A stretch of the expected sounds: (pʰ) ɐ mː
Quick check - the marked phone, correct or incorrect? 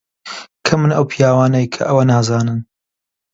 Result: incorrect